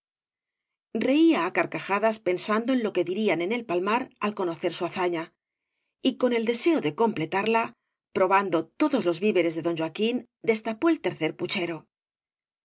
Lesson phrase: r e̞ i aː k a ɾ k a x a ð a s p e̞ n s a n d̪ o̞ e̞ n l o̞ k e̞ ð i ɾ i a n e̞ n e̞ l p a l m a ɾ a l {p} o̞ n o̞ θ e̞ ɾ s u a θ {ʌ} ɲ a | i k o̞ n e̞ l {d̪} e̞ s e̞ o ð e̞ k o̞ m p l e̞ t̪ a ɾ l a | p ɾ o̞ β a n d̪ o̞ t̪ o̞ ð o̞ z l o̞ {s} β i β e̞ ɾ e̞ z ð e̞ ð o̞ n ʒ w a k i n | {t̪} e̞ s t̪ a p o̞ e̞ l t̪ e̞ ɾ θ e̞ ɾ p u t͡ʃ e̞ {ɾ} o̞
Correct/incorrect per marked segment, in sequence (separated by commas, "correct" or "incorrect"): incorrect, incorrect, correct, incorrect, incorrect, correct